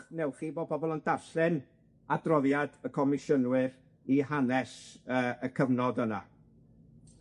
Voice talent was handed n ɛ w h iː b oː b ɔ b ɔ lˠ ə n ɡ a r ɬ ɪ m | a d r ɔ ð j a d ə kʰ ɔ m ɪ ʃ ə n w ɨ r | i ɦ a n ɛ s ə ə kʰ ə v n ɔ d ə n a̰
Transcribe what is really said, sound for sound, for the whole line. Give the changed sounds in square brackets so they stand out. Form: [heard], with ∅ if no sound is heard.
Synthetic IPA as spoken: n ɛ w [χ] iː b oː b ɔ b ɔ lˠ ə n [d] a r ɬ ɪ [n] | a d r ɔ ð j a d ə kʰ ɔ m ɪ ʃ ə n w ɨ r | i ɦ a n ɛ s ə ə kʰ ə v n ɔ d ə n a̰